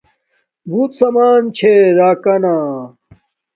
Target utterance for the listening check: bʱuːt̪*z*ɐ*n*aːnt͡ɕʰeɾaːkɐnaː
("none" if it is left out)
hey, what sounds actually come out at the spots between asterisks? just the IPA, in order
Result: s, m

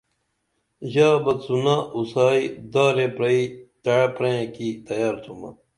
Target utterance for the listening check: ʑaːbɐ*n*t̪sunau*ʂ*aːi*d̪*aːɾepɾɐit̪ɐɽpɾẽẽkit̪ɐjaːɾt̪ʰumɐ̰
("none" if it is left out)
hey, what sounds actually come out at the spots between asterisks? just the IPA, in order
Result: none, s, d̪

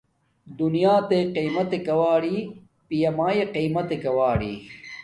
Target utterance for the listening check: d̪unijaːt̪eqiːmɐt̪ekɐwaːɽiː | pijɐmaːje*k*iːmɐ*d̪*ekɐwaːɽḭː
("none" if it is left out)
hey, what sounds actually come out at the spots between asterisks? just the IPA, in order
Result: q, t̪

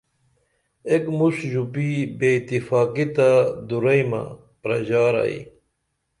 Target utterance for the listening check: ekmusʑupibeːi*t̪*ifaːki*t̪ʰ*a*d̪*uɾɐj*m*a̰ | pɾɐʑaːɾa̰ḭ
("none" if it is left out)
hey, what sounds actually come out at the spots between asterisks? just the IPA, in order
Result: t̪, t̪, d̪, m

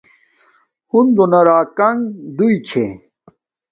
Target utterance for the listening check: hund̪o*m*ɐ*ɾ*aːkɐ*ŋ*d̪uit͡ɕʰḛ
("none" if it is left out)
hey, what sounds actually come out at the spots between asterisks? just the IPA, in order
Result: n, ɾ, ŋ

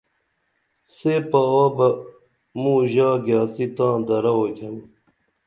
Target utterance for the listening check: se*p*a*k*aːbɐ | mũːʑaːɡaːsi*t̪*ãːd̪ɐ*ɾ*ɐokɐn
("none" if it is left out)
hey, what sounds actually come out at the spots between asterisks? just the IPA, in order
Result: p, none, t̪, ɾ

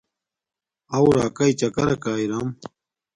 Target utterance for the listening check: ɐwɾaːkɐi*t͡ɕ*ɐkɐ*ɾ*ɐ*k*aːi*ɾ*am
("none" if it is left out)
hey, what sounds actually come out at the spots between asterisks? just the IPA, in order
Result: t͡ɕ, ɾ, k, ɾ

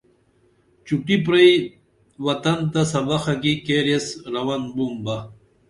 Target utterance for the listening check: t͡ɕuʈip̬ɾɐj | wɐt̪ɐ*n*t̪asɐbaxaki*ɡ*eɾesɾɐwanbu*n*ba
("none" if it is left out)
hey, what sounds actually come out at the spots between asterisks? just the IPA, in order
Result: n, k, m

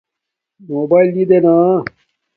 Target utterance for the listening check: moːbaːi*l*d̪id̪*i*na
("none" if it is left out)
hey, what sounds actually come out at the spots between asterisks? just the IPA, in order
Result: l, e

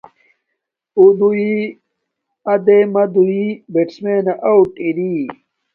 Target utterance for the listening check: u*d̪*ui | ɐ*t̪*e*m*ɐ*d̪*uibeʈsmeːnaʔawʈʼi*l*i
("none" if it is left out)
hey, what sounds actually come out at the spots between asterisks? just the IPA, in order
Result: d̪, d̪, m, d̪, ɾ

